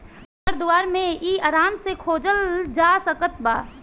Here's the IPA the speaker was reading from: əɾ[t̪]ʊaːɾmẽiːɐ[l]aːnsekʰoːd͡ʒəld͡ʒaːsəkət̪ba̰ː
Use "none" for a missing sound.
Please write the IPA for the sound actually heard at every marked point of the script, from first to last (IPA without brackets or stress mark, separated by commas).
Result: d̪, ɾ